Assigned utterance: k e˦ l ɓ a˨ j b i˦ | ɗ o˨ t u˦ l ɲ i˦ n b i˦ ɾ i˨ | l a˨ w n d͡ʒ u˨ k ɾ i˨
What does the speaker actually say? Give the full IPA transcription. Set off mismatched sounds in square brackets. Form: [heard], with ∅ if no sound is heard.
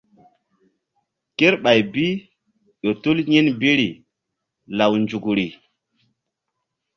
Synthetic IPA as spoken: k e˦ [ɾ] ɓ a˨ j b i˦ | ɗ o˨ t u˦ l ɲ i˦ n b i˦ ɾ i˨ | l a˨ w n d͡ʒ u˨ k ɾ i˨